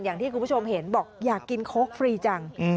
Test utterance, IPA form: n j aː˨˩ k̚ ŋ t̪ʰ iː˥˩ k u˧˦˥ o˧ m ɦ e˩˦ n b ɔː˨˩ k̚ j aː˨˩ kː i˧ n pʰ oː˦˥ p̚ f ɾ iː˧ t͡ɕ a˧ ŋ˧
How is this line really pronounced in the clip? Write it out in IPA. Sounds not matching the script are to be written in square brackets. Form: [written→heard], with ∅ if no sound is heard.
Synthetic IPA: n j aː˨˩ [k̚→∅] ŋ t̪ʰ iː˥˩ k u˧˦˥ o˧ m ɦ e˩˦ n b ɔː˨˩ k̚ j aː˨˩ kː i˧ n [pʰ→kʰ] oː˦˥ [p̚→k̚] f ɾ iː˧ t͡ɕ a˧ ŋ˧